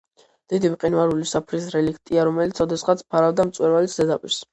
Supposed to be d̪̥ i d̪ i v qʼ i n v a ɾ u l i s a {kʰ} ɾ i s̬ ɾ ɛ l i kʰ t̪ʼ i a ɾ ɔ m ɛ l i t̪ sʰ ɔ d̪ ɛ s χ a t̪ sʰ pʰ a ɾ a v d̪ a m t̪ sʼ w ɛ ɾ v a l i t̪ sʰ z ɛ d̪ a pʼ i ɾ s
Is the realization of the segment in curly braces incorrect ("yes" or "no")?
yes